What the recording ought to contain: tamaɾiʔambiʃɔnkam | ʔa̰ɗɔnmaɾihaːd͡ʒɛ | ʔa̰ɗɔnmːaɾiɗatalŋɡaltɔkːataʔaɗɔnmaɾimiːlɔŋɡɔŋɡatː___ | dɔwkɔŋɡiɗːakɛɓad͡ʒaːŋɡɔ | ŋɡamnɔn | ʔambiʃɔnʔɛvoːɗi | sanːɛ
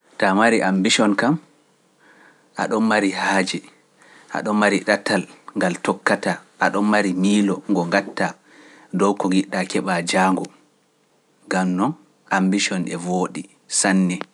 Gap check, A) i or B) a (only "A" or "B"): B